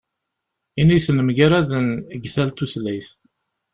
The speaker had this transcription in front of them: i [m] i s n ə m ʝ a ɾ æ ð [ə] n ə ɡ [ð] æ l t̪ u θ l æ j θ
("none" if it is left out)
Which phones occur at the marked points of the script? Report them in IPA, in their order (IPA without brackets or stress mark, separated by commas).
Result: n, ə, θ